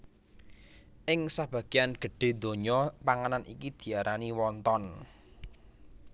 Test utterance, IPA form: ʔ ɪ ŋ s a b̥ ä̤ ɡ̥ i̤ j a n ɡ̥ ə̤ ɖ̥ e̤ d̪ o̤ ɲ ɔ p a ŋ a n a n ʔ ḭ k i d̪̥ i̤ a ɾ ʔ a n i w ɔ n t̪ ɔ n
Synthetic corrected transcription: ʔ ɪ ŋ s a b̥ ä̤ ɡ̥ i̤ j a n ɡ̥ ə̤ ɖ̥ e̤ d̪ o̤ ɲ ɔ p a ŋ a n a n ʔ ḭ k i d̪̥ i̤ a ɾ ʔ a n i w ɔ n t̪ ɔ n